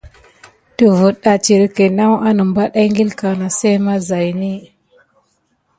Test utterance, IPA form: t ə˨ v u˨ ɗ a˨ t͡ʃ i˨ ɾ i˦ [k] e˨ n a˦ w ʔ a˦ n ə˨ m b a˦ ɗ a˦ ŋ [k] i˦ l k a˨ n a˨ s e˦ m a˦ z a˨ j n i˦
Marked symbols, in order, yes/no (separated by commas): yes, no